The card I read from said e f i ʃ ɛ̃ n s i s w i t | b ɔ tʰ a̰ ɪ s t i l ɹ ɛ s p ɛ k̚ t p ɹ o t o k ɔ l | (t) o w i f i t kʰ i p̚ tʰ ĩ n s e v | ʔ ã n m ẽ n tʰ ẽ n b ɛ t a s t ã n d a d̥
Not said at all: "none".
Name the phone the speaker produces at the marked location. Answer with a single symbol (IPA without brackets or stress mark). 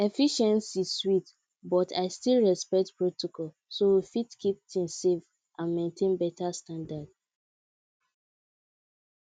s